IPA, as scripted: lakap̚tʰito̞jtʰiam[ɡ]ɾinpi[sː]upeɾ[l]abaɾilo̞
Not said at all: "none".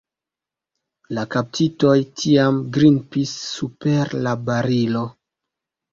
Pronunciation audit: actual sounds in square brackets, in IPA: ɡ, sː, l

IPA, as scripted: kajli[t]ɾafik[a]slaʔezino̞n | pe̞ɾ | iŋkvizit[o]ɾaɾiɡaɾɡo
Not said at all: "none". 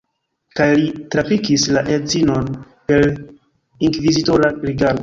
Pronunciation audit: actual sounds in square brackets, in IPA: t, i, o

